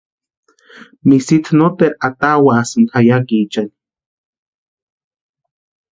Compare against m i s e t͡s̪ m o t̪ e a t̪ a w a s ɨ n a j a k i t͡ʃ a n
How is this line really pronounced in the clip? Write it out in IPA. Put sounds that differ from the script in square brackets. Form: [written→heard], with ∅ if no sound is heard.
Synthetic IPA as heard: m i s [e→i] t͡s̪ [m→n] o t̪ e a t̪ a w a s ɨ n a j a k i t͡ʃ a n